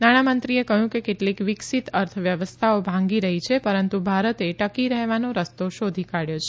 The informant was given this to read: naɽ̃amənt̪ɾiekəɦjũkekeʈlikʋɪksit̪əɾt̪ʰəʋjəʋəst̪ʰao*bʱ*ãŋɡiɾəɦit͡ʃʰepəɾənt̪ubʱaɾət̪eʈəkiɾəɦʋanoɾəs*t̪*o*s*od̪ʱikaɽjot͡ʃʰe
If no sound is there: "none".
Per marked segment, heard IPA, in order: bʱ, t̪, ʃ

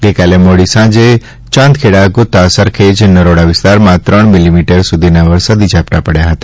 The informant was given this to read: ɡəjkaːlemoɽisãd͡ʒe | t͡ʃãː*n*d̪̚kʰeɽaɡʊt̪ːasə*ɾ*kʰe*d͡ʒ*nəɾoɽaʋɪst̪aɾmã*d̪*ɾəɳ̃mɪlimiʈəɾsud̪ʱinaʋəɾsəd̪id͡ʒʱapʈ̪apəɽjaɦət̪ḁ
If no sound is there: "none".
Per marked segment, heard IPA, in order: n, ɾ, d͡ʒ, t̪

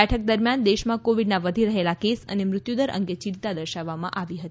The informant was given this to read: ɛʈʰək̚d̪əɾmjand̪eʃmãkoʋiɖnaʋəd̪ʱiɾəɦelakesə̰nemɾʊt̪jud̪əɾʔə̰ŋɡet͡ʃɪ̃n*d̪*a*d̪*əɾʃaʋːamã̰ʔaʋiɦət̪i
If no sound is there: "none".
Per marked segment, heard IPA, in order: t̪, d̪

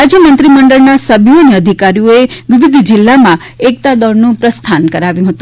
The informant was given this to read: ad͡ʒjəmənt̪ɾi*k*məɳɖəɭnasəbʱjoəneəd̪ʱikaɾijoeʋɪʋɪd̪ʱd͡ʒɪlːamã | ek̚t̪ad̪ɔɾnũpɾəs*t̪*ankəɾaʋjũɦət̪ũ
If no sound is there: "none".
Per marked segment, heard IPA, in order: none, t̪ʰ

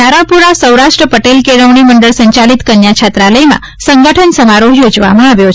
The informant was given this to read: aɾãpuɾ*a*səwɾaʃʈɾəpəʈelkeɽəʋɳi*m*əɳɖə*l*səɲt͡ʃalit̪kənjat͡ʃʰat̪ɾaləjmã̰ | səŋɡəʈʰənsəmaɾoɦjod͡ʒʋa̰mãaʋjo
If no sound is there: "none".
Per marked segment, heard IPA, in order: a, m, ɭ

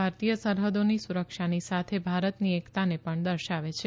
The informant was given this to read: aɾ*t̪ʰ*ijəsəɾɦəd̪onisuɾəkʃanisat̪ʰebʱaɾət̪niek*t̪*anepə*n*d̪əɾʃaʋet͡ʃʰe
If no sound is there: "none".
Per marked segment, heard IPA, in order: t̪, t̪, ɳ

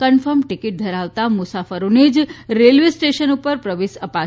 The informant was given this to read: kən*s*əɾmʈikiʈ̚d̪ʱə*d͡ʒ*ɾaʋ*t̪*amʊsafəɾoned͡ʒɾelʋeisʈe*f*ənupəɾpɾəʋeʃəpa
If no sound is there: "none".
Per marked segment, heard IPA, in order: f, none, t̪, ʃ

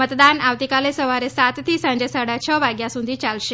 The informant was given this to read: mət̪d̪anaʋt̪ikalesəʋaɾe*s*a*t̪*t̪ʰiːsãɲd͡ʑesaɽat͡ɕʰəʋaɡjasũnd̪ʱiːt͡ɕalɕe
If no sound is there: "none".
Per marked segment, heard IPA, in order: s, t̪

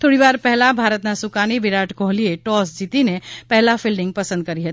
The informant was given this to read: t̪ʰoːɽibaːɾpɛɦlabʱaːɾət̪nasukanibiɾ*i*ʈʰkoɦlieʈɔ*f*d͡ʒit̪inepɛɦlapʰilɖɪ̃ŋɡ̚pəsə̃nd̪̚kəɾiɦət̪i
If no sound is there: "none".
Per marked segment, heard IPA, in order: a, s

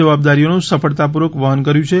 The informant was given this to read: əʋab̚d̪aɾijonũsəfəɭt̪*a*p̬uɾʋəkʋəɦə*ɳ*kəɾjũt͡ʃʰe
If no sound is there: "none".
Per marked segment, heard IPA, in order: a, n

